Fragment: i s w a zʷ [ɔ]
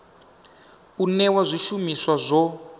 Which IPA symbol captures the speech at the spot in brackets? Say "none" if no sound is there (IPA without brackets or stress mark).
ɔ